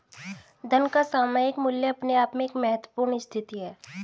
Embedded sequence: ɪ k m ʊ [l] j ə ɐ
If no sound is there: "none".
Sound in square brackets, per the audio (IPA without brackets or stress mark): l